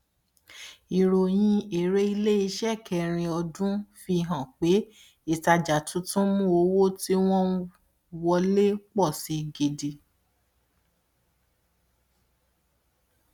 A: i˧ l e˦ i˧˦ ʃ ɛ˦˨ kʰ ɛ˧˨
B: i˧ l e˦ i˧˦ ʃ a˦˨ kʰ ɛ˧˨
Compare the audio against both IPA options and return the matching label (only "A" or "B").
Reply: A